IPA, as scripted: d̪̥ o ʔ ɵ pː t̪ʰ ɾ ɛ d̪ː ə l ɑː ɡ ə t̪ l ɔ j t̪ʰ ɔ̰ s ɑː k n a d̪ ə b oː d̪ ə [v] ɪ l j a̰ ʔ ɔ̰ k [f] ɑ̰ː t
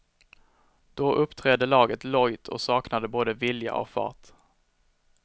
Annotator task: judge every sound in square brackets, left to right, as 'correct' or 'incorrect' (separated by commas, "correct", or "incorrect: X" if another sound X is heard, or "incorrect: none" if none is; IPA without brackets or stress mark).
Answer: correct, correct